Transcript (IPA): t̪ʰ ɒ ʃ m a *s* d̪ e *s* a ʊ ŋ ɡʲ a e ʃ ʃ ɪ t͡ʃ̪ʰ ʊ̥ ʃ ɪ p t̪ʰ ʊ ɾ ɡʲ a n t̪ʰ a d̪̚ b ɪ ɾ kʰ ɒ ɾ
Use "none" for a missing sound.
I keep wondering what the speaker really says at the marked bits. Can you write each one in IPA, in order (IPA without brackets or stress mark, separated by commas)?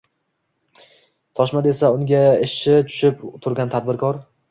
none, s